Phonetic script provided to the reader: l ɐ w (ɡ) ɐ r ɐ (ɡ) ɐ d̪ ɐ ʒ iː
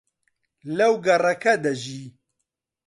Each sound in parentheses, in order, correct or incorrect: correct, incorrect

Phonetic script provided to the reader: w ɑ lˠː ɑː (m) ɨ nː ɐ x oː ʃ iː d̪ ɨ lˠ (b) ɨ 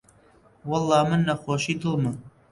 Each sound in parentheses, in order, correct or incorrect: correct, incorrect

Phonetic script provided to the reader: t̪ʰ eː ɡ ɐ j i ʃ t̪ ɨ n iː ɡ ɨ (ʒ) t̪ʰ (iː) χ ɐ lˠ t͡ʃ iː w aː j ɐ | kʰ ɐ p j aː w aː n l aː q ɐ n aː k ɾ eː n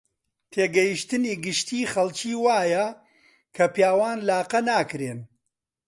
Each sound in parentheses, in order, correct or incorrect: incorrect, correct

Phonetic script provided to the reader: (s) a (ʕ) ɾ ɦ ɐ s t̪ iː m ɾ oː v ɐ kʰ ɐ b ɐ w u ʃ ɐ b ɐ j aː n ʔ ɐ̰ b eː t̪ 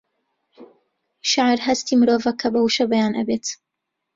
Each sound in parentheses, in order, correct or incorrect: incorrect, correct

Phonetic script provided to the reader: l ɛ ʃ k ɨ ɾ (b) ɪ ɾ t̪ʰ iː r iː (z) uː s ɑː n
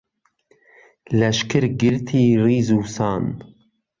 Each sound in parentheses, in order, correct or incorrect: incorrect, correct

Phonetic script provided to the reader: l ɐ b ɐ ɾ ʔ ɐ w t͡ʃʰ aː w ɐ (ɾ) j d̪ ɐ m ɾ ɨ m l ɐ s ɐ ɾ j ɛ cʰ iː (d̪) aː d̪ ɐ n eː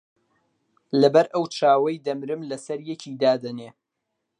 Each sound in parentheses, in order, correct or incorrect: incorrect, correct

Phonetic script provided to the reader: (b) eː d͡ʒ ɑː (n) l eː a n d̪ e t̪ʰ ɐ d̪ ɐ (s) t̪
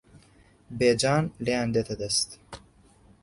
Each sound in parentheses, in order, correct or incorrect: correct, correct, correct

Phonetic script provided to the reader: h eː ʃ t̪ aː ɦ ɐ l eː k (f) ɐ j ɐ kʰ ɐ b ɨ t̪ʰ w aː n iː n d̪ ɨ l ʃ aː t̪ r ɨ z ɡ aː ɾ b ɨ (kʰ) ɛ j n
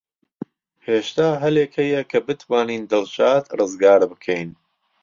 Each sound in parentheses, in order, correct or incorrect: incorrect, correct

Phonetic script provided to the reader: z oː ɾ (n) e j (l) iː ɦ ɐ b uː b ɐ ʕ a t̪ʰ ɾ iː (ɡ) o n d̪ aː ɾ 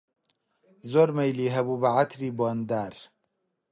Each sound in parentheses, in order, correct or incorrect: incorrect, correct, incorrect

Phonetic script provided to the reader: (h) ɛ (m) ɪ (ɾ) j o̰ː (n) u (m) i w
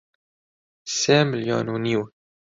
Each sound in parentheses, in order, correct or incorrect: incorrect, correct, incorrect, correct, incorrect

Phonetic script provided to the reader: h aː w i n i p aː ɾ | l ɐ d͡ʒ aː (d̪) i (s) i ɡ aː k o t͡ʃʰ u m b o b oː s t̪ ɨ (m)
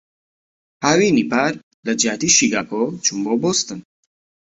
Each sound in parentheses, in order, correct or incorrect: incorrect, incorrect, incorrect

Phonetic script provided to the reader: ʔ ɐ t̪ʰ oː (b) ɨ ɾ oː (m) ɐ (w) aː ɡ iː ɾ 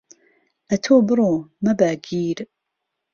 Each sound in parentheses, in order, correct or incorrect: correct, correct, incorrect

